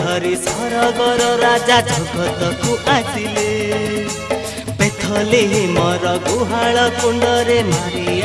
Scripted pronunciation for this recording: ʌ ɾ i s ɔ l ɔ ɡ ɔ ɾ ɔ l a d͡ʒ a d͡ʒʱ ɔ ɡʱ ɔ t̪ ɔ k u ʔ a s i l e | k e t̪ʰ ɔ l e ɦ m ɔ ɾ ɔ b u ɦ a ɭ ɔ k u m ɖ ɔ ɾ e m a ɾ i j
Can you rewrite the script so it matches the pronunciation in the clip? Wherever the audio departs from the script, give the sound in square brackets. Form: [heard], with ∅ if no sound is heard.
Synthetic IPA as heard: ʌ ɾ i s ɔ [ɾ] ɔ ɡ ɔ ɾ ɔ [ɾ] a d͡ʒ a d͡ʒʱ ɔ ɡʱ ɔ t̪ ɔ k u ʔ a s i l e | [p] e t̪ʰ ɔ l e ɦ m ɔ ɾ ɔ [ɡ] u ɦ a ɭ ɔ k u [ɳ] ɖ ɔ ɾ e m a ɾ i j

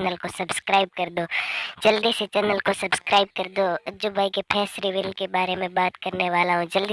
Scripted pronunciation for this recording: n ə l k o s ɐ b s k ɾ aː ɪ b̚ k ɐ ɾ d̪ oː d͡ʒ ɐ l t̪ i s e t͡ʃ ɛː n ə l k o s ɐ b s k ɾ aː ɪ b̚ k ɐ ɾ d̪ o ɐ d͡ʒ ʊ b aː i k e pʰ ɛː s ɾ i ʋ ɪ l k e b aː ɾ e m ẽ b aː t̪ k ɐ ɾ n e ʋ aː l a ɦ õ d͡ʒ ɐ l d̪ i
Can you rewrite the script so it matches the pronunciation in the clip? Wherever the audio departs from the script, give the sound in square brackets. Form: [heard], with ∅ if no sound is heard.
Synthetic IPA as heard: n ə l k o s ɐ b s k ɾ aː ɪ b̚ k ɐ ɾ d̪ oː d͡ʒ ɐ l [d̪] i s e t͡ʃ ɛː n ə l k o s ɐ b s k ɾ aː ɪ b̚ k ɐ ɾ d̪ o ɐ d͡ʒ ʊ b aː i k e pʰ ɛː s ɾ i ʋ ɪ l k e b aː ɾ e m ẽ b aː t̪ k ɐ ɾ n e ʋ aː l a ɦ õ d͡ʒ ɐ l d̪ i

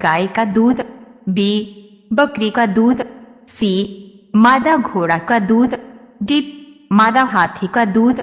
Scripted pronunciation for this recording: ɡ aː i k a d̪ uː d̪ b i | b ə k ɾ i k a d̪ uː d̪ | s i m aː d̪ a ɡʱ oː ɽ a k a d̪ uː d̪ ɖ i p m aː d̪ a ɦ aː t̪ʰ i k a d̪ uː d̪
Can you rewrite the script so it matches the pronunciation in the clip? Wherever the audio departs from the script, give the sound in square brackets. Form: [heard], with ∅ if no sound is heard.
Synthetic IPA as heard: ɡ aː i k a d̪ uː d̪ b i | b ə k ɾ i k a d̪ uː d̪ | s i m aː d̪ a ɡʱ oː ɽ a k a d̪ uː d̪ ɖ i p m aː d̪ a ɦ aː t̪ʰ i k a d̪ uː d̪

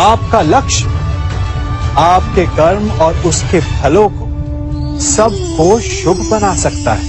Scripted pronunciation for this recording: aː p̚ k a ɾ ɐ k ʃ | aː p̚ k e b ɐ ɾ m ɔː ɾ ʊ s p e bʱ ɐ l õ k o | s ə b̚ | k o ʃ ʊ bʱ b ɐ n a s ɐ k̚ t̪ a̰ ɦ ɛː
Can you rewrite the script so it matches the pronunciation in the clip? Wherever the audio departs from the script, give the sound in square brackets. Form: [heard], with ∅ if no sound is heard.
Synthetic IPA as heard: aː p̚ k a [l] ɐ k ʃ | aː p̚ k e [ɡ] ɐ ɾ m ɔː ɾ ʊ s [k] e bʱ ɐ l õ k o | s [ɐ] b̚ | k o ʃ ʊ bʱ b ɐ n a s ɐ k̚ t̪ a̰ ɦ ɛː

